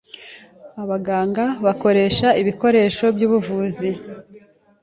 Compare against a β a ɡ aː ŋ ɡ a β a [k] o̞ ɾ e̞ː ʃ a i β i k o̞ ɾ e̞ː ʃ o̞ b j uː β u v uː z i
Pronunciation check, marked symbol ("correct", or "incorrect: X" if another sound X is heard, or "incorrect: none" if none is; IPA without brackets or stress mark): correct